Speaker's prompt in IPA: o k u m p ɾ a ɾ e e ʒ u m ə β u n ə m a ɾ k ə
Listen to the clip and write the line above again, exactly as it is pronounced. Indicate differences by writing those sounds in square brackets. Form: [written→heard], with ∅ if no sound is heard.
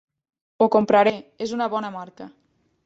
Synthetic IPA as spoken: o k [u→o] m p ɾ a ɾ e e [ʒ→z] u [m→n] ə β [u→ɔ] n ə m a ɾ k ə